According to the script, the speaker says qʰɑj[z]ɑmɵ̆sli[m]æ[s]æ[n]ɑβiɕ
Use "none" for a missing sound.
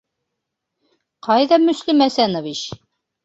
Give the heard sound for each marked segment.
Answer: ð, m, s, n

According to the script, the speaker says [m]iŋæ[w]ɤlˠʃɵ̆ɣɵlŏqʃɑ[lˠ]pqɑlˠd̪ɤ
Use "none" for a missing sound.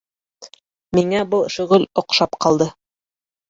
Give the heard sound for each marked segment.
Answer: m, b, none

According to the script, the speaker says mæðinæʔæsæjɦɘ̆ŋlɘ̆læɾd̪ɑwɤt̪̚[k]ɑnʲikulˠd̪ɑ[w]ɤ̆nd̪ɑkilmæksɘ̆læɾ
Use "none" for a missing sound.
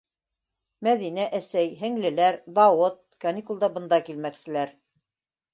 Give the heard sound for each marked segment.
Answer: k, b

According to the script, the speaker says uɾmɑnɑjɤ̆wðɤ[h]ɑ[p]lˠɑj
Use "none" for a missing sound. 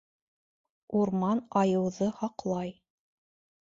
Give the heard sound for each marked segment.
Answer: h, q

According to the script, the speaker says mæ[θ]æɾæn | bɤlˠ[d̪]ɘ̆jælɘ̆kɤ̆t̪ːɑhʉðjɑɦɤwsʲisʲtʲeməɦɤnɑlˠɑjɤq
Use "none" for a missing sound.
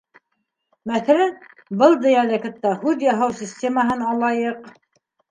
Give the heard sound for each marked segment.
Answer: θ, d̪

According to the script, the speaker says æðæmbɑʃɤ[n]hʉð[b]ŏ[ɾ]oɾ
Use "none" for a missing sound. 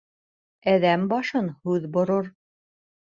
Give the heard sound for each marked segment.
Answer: n, b, ɾ

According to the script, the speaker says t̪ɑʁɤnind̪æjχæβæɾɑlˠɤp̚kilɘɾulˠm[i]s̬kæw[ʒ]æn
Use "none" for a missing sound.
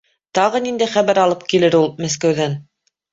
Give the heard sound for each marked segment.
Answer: æ, ð

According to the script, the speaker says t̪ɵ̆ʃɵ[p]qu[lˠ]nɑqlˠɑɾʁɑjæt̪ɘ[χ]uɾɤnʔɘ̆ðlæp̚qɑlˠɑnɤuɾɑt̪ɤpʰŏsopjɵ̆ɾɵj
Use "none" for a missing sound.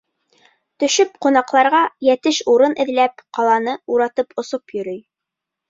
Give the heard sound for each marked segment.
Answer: p, none, ʃ

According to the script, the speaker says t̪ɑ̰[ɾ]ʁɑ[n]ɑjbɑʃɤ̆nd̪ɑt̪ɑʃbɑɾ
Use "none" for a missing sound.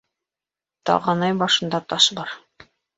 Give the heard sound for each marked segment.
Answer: none, n

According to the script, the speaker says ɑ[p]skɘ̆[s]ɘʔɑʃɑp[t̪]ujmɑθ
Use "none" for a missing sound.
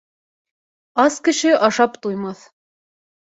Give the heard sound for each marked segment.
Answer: none, ʃ, t̪

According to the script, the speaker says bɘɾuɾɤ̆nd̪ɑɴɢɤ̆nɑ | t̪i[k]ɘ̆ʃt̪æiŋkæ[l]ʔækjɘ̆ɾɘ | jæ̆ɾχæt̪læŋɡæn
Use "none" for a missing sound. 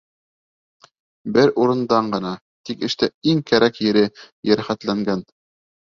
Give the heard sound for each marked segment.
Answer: k, ɾ

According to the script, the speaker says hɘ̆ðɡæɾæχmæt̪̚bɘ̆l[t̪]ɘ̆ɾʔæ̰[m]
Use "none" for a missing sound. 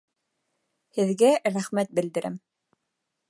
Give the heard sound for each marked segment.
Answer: d̪, m

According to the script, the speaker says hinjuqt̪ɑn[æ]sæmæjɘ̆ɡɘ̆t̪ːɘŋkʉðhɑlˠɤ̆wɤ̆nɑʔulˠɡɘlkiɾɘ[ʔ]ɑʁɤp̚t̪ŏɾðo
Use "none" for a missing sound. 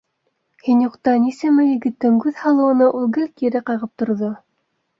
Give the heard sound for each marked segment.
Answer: i, q

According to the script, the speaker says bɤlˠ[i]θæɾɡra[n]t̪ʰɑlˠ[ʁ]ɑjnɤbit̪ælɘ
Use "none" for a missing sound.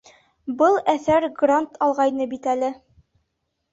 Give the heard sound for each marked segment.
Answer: æ, n, ʁ

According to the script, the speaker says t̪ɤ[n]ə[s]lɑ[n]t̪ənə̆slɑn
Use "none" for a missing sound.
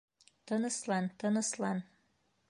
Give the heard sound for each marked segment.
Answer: n, s, n

